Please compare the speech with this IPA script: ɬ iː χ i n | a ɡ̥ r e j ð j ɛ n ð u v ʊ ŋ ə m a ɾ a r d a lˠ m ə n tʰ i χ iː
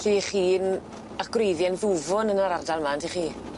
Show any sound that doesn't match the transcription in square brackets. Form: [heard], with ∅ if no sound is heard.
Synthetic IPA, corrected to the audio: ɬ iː χ [iː] n | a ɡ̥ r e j ð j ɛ n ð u v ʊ [n] ə [n] a ɾ a r d a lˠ m [a] n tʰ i χ iː